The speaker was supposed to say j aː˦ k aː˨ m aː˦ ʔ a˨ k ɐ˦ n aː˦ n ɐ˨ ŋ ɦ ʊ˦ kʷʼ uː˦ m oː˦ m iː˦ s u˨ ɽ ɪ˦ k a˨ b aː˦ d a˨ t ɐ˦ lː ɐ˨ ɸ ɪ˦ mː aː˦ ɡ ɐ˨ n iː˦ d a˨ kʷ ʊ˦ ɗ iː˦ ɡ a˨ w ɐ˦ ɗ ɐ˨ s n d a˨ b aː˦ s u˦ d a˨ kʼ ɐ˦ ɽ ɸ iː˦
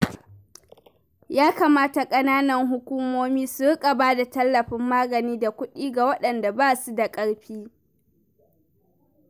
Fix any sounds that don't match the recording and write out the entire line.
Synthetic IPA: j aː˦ k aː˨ m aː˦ t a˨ kʼ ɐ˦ n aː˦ n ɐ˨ ŋ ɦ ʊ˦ kʷ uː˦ m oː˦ m iː˦ s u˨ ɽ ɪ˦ kʼ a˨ b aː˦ d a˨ t ɐ˦ lː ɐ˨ ɸ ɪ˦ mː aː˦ ɡ ɐ˨ n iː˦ d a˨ kʷ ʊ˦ ɗ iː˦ ɡ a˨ w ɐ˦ ɗ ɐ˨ n d a˨ b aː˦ s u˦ d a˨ kʼ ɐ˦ ɽ ɸ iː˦

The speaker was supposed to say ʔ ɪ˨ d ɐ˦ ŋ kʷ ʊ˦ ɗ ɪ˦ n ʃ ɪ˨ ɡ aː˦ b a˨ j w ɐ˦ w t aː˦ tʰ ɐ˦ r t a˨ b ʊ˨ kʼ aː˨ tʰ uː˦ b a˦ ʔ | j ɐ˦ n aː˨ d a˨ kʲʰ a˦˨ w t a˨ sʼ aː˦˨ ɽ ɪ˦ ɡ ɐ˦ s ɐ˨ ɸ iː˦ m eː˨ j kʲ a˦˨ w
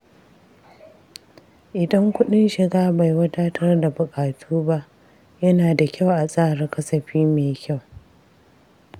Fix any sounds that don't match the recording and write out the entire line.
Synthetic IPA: ʔ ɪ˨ d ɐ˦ ŋ kʷ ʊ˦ ɗ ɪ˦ n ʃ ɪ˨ ɡ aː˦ b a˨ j w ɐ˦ t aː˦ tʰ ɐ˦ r d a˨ b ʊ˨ kʼ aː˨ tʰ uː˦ b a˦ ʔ | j ɐ˦ n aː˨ d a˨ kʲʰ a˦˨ w ʔ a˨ sʼ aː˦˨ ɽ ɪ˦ k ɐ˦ s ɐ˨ ɸ iː˦ m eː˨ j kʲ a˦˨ w

